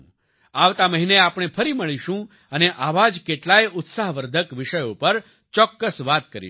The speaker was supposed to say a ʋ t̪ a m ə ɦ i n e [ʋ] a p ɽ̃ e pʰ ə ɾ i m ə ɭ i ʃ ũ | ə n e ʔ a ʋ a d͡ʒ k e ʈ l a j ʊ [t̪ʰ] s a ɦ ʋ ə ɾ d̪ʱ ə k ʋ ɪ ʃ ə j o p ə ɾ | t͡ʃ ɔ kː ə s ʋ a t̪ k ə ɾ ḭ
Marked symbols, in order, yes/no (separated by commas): no, no